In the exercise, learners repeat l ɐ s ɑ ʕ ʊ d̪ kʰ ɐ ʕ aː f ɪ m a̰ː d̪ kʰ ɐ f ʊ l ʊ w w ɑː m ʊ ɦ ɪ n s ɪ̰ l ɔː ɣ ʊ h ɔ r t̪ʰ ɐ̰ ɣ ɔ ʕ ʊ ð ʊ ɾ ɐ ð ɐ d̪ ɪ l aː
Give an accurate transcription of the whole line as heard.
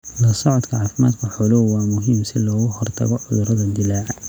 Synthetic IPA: l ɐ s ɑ ʕ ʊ d̪ kʰ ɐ ʕ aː f ɪ m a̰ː d̪ kʰ ɐ ħ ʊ l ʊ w w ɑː m ʊ ɦ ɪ m s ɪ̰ l ɔː ɣ ʊ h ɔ r t̪ʰ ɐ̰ ɣ ɔ ʕ ʊ ð ʊ ɾ ɐ ð ɐ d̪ ɪ l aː

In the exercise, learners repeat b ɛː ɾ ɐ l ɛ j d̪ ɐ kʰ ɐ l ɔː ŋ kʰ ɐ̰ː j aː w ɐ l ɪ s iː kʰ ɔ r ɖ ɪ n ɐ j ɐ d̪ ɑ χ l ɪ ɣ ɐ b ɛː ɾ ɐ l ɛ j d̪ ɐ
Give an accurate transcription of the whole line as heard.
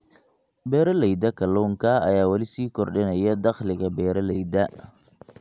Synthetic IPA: b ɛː ɾ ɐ l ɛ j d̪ ɐ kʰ ɐ l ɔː ŋ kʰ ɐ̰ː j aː w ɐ l ɪ s iː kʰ ɔ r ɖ ɪ n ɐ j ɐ d̪ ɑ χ l ɪ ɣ ɐ b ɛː ɾ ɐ l ɛ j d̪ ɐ

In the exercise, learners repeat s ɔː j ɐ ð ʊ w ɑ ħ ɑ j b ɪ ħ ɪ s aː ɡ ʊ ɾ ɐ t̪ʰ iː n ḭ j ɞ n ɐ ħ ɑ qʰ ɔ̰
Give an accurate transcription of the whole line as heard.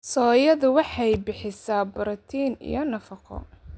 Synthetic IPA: s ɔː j ɐ ð ʊ w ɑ ħ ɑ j b ɪ ħ ɪ s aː b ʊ ɾ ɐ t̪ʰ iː n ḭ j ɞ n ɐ f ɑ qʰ ɔ̰

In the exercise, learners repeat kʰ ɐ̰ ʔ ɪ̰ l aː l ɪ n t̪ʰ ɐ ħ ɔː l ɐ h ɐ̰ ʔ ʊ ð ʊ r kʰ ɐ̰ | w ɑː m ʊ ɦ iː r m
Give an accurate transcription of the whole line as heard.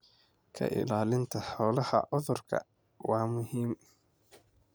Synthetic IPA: kʰ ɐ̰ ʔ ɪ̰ l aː l ɪ n t̪ʰ ɐ ħ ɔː l ɐ h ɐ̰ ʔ ʊ ð ʊ r kʰ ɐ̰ | w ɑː m ʊ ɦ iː m

